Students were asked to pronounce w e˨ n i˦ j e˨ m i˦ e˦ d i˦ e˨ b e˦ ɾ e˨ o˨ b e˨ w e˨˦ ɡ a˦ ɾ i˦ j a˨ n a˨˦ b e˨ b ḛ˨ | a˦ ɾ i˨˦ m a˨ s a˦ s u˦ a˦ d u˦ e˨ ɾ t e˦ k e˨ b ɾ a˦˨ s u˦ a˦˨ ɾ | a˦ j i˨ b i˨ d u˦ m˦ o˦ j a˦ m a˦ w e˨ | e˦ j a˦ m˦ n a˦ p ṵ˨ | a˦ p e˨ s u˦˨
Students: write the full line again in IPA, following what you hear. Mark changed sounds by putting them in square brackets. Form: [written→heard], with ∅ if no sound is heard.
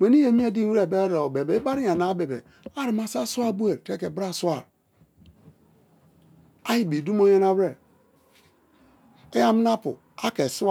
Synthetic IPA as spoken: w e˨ n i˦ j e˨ m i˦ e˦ d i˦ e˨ b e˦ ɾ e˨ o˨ b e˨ [w→b] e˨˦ [ɡ→b] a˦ ɾ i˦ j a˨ n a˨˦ b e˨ b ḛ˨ | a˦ ɾ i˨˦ m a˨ s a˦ s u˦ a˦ [d→b] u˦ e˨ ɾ t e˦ k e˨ b ɾ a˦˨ s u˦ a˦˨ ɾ | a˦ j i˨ b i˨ d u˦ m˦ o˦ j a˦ [m→n] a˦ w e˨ | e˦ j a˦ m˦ n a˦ p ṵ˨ | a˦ [p→k] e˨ s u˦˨